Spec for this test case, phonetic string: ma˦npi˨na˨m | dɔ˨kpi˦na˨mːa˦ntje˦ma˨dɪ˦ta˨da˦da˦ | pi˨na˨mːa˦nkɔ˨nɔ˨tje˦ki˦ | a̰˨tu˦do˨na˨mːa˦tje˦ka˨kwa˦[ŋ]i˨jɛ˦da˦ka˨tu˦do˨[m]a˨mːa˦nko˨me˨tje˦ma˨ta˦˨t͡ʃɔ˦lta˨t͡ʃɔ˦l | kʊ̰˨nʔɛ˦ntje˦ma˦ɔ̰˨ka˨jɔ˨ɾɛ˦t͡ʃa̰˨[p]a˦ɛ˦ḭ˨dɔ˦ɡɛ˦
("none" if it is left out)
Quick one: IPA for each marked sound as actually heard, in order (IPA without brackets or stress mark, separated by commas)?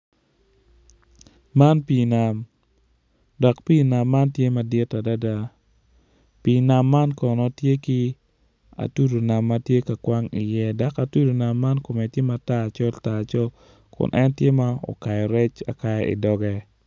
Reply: ŋ, n, k